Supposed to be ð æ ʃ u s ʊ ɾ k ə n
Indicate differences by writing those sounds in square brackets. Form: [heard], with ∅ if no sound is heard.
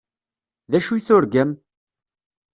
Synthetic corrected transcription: ð æ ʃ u [θ] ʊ ɾ [ɡ] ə [m]